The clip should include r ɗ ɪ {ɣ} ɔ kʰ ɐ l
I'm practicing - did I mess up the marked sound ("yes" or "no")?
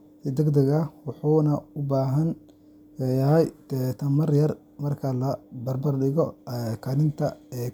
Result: no